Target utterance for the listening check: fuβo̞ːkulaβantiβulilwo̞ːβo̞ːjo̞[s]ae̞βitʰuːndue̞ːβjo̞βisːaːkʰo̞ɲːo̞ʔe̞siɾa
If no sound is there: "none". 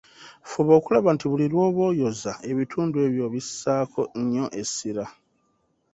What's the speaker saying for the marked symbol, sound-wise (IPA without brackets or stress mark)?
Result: z